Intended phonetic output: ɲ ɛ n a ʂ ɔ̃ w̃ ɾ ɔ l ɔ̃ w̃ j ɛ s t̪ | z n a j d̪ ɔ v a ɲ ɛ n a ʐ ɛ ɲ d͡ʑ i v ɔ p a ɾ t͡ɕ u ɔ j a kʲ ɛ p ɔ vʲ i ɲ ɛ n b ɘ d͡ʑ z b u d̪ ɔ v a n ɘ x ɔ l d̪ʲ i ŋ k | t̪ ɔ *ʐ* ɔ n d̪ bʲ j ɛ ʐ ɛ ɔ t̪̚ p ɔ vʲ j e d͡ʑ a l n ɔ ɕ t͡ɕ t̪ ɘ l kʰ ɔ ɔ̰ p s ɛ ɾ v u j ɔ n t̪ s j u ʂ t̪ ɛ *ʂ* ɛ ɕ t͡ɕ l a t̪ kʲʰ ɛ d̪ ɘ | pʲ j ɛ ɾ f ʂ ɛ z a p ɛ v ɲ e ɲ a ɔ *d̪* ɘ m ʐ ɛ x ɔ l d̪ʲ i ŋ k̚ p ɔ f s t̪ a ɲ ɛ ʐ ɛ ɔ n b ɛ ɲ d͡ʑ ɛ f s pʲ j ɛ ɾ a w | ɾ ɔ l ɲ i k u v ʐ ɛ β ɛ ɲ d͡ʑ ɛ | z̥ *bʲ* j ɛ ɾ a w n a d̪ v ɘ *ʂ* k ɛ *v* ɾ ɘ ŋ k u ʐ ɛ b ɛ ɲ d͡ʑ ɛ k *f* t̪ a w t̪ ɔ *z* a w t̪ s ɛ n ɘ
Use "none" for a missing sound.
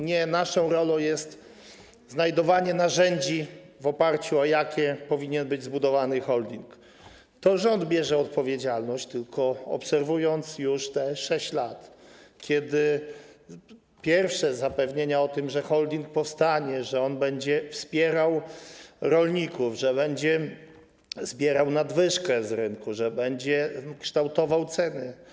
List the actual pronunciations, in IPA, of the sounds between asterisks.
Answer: ʐ, ʂ, t̪, bʲ, ʂ, z, ʂ, v

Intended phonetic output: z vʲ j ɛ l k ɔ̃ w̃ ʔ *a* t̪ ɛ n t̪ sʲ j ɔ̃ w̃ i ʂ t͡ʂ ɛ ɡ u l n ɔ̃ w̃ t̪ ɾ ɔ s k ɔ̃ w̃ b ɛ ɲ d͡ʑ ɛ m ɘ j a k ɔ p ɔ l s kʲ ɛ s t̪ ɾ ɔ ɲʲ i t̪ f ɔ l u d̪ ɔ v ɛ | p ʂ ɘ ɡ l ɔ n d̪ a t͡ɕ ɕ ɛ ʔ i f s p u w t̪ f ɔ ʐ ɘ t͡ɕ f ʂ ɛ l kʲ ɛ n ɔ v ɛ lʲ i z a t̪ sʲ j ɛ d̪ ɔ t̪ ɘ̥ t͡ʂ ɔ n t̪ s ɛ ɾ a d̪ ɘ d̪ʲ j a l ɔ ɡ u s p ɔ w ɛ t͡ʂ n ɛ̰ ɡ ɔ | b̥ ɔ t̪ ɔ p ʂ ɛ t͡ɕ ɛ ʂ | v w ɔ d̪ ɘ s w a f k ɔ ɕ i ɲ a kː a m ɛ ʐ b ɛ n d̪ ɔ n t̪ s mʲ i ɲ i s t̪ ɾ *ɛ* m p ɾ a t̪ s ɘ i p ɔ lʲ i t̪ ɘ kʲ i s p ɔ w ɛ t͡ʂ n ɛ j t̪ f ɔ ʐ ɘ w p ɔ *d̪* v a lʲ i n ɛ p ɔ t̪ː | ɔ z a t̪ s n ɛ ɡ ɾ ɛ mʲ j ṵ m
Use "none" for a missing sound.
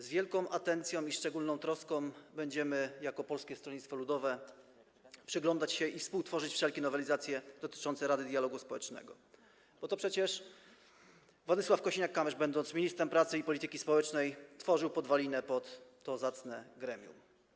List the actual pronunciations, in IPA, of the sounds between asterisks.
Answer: a, ɛ, d̪

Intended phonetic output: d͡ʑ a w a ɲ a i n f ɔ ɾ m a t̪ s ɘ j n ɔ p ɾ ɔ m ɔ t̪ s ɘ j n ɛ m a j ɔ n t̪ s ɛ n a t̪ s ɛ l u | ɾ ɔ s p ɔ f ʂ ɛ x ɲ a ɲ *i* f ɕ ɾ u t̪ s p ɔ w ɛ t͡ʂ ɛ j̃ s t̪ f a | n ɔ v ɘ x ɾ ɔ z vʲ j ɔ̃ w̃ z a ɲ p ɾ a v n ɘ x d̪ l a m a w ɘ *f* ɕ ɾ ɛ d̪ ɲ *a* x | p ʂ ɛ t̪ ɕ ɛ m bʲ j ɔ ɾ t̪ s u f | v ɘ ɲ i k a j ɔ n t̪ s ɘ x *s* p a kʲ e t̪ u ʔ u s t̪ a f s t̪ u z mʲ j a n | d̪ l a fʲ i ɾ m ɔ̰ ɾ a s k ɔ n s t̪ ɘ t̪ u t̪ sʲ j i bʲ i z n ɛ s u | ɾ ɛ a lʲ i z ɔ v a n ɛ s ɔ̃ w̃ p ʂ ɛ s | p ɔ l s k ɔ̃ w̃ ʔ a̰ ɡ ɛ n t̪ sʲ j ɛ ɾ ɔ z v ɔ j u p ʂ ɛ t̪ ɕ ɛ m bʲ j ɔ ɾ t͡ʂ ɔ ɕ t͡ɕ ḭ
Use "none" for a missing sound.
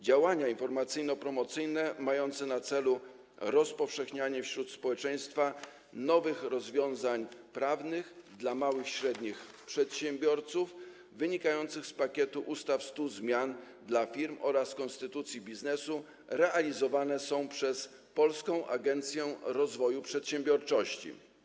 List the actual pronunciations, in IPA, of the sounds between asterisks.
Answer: ɛ, x, i, s

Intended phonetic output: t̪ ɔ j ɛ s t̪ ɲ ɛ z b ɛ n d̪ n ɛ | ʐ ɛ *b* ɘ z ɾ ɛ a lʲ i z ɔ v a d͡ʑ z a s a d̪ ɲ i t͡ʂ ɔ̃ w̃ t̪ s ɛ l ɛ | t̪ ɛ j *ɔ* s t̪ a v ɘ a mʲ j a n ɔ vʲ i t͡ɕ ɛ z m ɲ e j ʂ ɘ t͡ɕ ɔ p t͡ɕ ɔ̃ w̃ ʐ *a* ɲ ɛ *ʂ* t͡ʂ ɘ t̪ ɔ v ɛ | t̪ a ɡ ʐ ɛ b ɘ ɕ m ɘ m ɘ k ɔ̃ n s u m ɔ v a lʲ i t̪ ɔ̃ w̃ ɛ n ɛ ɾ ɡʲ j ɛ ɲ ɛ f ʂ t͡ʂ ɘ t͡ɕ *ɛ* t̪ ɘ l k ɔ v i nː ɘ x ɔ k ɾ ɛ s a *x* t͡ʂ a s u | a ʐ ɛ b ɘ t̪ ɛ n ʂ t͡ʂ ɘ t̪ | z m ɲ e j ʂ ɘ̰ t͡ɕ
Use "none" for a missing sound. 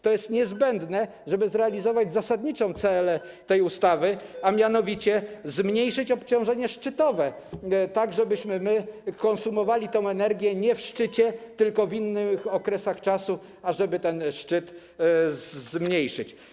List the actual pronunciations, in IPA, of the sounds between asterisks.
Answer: b, u, ɛ, ʂ, ɛ, x

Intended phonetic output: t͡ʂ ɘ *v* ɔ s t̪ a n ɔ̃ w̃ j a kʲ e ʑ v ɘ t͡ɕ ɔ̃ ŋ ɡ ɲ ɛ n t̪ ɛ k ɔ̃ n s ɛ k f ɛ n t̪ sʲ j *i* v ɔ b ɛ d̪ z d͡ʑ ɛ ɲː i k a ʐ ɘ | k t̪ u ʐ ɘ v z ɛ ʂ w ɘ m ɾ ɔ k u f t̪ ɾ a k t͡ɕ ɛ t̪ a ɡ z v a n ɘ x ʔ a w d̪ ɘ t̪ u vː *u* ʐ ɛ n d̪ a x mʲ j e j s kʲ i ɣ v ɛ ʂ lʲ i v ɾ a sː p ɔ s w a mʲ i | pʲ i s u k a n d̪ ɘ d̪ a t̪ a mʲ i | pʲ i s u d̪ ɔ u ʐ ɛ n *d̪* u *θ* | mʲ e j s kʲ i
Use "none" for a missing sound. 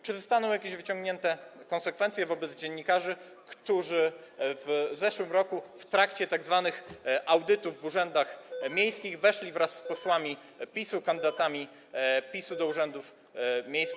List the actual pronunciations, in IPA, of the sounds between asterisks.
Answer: z, ɛ, u, d̪, f

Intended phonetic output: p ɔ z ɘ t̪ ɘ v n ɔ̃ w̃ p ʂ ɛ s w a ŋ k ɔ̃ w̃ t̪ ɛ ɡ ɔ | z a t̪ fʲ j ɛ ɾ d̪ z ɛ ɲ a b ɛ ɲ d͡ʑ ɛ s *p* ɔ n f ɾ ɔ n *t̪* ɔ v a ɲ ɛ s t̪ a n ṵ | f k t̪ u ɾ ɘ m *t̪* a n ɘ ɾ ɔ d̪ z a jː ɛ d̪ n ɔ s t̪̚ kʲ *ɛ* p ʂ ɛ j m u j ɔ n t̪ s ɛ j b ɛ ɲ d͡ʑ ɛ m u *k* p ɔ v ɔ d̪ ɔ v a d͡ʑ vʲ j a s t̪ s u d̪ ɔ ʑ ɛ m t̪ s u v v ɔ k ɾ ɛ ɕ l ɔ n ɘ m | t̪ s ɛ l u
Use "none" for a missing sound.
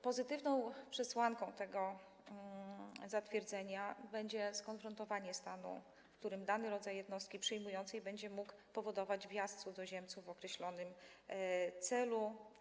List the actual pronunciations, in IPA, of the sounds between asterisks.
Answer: k, t̪, d̪, i, k

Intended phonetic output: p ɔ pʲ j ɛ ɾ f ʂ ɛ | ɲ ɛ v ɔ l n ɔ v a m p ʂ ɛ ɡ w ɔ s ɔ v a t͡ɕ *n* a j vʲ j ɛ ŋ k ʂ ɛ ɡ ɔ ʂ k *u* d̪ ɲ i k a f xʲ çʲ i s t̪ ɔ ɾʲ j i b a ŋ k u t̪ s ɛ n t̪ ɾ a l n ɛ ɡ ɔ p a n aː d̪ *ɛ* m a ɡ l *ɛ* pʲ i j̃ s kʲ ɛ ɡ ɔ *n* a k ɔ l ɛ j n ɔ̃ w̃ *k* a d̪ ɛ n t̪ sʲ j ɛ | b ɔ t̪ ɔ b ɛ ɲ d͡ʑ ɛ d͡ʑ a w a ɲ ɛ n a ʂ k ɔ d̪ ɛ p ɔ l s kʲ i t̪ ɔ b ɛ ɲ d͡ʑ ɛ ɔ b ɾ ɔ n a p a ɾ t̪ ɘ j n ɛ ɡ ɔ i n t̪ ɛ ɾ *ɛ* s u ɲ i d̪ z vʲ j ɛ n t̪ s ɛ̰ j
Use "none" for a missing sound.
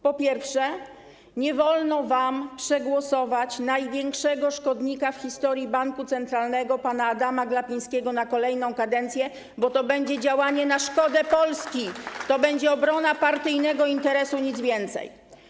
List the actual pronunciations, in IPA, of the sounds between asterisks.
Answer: n, ɔ, a, a, n, k, ɛ

